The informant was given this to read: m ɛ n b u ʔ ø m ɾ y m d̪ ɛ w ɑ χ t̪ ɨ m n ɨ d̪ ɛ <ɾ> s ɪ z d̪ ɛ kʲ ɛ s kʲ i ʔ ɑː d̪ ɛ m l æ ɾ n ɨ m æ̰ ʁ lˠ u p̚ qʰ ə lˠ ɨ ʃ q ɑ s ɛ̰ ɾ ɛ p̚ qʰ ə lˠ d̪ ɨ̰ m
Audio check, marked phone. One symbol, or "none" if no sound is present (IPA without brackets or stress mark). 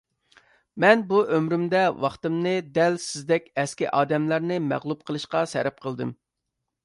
l